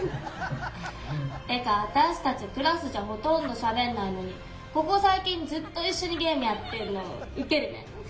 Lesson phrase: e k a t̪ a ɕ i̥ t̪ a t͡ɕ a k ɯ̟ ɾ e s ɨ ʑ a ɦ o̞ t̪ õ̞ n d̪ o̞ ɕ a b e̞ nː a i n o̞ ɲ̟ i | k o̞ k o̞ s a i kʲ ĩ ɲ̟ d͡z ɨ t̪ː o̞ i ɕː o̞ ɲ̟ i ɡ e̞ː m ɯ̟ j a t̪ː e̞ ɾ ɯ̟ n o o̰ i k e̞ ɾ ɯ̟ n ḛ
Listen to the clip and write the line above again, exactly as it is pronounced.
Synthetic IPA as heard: e k a t̪ a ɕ i̥ t̪ a t͡ɕ i k ɯ̟ ɾ a s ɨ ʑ a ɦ o̞ t̪ õ̞ n d̪ o̞ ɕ a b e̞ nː a i n o̞ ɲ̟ i | k o̞ k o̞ s a i kʲ ĩ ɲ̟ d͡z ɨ t̪ː o̞ i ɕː o̞ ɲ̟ i ɡ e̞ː m ɯ̟ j a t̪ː e̞ ɾ ɯ̟ n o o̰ i k e̞ ɾ ɯ̟ n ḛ

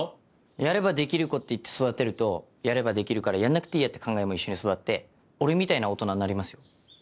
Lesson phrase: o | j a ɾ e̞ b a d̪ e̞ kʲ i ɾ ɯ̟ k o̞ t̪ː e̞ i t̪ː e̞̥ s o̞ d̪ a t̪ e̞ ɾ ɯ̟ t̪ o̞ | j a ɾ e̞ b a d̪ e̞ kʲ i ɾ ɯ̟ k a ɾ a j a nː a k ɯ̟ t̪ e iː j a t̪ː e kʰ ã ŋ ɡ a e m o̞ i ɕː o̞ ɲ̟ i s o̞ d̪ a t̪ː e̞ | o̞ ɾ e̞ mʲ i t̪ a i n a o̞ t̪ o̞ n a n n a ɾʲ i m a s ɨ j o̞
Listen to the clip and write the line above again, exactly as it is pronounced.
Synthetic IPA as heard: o | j a ɾ e̞ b a d̪ e̞ kʲ i ɾ ɯ̟ k o̞ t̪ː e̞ i t̪ː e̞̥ s o̞ d̪ a t̪ e̞ ɾ ɯ̟ t̪ o̞ | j a ɾ e̞ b a d̪ e̞ kʲ i ɾ ɯ̟ k a ɾ a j a nː a k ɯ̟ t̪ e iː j a t̪ː e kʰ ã ŋ ɡ a e m o̞ i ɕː o̞ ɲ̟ i s o̞ d̪ a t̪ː e̞ | o̞ ɾ e̞ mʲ i t̪ a i n a o̞ t̪ o̞ n a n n a ɾʲ i m a s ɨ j o̞

